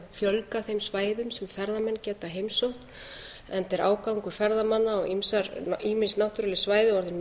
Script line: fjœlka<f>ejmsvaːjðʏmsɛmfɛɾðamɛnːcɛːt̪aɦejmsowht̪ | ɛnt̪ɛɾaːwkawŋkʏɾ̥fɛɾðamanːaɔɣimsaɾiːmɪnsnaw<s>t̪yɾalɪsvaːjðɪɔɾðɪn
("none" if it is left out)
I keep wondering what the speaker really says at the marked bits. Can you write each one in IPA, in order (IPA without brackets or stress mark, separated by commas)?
θ, h